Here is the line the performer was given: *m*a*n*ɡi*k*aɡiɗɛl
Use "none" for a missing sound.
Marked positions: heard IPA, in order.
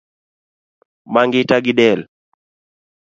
m, ŋ, t

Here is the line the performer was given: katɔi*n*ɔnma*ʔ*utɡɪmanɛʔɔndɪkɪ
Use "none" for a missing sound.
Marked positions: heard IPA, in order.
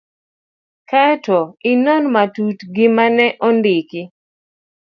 n, t

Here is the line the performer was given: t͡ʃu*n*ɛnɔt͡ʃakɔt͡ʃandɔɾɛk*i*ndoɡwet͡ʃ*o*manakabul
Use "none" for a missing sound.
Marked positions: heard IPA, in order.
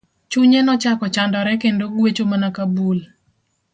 ɲ, e, o

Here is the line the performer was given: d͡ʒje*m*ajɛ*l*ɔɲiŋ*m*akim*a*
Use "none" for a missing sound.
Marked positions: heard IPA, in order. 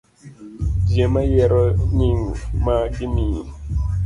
m, ɾ, m, i

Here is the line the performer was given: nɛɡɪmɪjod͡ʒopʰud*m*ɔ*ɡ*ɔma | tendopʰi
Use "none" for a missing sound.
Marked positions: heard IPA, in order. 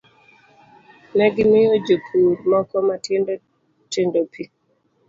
m, k

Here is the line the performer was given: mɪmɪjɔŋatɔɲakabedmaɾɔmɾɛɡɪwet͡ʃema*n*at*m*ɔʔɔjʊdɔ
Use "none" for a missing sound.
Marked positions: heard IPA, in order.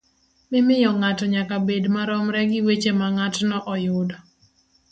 ŋ, n

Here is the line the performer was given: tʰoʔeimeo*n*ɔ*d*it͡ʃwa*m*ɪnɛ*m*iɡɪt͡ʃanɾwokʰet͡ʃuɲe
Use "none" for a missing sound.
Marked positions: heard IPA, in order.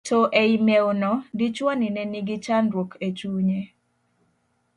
n, d, n, n

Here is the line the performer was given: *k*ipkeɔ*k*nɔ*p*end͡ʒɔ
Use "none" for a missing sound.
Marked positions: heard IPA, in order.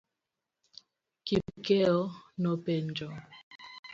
k, none, p

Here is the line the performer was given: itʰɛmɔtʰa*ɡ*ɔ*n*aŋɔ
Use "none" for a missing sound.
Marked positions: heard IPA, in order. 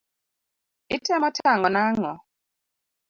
ŋ, n

